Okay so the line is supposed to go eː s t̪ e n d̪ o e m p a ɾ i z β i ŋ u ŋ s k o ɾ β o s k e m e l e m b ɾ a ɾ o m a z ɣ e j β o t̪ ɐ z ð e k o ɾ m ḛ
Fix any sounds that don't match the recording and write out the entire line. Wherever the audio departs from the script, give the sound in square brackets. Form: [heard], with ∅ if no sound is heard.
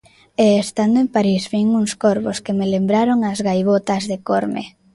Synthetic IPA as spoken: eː s t̪ [a] n d̪ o e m p a ɾ i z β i ŋ u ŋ s k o ɾ β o s k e m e l e m b ɾ a ɾ o [ŋ] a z ɣ [a] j β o t̪ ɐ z ð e k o ɾ m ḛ